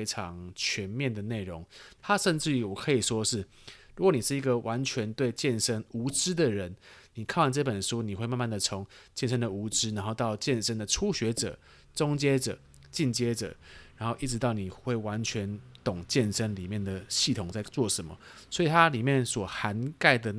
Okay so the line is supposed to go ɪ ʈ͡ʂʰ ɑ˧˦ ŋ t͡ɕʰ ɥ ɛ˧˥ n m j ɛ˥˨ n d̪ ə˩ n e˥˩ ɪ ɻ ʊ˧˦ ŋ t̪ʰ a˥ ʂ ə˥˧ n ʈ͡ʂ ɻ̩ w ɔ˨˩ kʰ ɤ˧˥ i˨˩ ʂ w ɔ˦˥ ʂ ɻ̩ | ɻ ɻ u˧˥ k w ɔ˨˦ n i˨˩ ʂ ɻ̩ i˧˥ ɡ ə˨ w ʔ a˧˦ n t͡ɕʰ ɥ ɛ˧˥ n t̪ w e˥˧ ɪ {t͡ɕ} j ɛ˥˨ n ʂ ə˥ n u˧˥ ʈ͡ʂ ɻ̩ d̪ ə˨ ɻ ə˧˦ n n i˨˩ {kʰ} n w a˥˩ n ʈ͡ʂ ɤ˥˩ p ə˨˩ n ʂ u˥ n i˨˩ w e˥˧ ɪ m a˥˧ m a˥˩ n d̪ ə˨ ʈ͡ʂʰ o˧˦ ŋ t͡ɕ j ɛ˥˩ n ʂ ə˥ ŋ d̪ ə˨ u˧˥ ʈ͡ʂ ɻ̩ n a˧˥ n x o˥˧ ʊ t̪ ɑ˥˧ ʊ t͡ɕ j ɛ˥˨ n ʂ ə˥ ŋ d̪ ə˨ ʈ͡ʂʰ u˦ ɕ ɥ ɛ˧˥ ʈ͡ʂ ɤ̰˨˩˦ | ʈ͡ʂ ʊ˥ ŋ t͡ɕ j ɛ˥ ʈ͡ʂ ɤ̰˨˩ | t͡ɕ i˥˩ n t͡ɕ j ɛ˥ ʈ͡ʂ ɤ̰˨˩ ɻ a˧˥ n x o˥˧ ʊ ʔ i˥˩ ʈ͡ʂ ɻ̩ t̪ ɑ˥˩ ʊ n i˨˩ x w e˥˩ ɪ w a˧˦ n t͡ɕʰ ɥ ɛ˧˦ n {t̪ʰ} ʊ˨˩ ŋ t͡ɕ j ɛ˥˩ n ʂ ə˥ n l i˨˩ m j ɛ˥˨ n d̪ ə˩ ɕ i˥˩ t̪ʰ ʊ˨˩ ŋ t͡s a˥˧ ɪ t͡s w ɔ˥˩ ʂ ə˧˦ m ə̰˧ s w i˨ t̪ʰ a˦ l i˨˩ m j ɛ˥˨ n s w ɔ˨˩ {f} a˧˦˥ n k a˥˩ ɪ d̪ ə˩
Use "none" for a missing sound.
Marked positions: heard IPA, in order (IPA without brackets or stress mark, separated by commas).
t͡ɕ, kʰ, t̪, x